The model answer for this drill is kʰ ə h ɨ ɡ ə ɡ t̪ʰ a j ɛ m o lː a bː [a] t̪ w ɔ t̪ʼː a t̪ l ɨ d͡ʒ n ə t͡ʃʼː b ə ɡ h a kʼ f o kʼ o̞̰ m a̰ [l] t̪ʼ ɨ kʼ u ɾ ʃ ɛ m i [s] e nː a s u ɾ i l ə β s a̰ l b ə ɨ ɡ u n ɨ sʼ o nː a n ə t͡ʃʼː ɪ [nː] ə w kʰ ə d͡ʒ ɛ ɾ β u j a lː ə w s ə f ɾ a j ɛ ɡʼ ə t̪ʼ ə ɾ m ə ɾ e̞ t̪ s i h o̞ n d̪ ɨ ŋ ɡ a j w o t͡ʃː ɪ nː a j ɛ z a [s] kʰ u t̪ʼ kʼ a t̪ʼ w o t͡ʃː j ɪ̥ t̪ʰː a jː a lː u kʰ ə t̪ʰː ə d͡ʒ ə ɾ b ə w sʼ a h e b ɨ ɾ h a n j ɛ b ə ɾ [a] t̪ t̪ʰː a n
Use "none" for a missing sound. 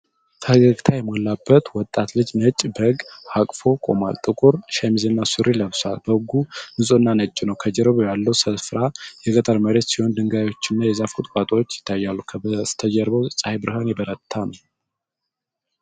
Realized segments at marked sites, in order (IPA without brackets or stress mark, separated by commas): ə, l, z, n, f, ə